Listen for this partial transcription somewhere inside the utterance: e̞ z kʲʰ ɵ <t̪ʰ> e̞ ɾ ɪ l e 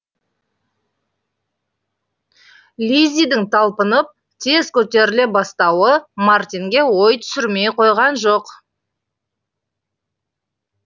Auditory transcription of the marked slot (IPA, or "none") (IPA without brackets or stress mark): t̪